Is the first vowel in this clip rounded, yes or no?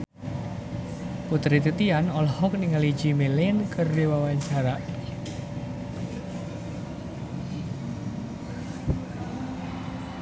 yes